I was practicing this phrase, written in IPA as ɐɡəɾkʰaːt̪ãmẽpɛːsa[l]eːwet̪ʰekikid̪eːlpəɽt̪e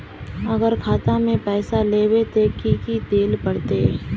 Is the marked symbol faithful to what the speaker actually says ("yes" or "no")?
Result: yes